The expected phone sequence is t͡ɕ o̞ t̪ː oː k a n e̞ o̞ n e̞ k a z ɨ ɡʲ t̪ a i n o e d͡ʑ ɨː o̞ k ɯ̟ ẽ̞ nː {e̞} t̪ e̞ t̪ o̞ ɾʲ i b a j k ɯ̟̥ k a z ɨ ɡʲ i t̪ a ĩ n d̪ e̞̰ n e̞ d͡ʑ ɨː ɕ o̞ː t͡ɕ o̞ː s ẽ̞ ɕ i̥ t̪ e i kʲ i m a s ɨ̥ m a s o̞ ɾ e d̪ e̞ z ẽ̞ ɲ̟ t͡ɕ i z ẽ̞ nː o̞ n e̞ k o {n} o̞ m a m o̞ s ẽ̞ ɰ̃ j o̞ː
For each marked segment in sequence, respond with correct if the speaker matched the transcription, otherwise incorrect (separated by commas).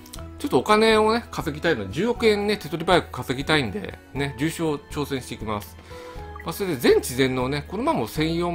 correct, correct